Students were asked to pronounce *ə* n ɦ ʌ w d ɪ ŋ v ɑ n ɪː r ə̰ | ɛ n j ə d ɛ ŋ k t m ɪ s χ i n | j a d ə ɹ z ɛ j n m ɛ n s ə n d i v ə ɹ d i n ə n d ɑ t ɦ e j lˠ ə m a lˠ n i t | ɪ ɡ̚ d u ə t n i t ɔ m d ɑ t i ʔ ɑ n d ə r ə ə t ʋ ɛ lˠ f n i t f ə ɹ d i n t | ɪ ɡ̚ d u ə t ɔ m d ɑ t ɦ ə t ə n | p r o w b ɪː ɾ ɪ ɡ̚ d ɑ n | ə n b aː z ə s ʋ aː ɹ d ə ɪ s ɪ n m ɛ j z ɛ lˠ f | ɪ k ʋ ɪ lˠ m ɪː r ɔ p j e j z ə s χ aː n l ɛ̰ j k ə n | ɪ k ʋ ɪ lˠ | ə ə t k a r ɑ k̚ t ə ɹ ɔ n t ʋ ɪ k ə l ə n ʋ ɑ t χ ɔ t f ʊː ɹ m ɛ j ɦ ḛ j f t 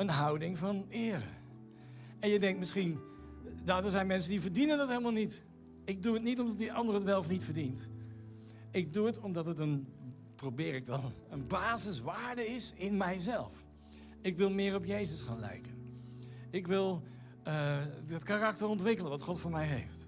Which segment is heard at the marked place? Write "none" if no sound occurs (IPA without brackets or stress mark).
ə